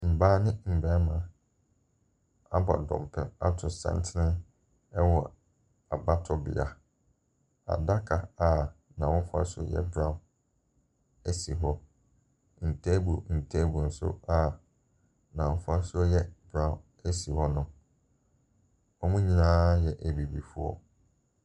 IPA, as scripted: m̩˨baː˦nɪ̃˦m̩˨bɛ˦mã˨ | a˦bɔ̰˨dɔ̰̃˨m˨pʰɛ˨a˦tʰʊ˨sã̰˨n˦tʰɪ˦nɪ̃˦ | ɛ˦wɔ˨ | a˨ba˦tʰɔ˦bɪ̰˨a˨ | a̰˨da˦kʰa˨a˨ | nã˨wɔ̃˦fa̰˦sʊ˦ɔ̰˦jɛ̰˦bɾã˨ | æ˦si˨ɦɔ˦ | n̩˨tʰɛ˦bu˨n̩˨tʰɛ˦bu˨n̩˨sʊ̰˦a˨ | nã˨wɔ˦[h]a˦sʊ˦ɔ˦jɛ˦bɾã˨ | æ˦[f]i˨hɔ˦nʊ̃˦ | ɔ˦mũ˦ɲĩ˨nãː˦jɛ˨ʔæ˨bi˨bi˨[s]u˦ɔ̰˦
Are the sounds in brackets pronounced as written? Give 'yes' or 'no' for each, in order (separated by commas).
no, no, no